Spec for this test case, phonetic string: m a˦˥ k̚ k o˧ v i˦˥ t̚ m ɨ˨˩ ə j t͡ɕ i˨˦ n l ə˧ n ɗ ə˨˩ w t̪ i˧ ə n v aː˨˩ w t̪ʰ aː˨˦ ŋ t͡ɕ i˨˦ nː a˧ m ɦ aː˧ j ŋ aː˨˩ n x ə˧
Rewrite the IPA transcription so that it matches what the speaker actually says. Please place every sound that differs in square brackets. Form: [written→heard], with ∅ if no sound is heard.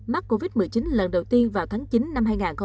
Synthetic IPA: m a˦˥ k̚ k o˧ v i˦˥ t̚ m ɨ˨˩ ə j t͡ɕ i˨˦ n l [ə˧→ə˨˩] n ɗ ə˨˩ w t̪ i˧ ə n v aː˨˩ w t̪ʰ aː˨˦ ŋ t͡ɕ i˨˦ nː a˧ m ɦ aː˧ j ŋ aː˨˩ n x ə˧